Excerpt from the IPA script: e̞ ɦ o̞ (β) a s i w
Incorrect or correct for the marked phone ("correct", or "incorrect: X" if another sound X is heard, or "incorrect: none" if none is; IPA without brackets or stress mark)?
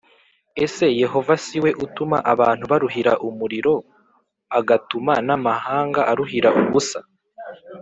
incorrect: v